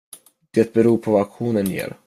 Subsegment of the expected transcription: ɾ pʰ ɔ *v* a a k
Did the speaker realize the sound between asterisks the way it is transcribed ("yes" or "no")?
yes